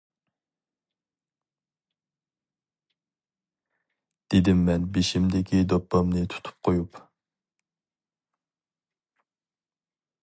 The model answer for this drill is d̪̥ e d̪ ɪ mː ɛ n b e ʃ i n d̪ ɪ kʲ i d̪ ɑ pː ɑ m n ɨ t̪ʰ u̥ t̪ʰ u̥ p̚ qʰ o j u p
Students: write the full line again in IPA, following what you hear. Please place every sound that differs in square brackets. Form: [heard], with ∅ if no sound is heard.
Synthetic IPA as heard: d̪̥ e d̪ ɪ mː ɛ n b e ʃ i [m] d̪ ɪ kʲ i d̪ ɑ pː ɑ m n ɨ t̪ʰ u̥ t̪ʰ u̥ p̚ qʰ o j u p